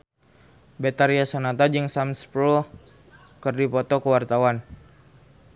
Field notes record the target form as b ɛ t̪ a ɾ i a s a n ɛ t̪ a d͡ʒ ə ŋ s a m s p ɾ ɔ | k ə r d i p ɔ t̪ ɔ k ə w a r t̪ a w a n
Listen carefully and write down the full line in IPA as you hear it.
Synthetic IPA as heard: b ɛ t̪ a ɾ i a s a n a t̪ a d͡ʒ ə ŋ s a m s p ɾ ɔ | k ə r d i p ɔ t̪ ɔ k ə w a r t̪ a w a n